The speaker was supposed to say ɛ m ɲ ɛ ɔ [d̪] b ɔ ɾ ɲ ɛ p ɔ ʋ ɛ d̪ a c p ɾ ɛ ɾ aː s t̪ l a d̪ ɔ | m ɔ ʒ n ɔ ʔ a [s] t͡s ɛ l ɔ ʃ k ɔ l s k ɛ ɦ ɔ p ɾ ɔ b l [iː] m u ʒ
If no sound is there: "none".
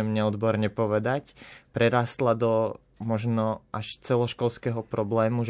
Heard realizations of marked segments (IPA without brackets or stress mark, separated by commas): d̪, ʃ, ɛː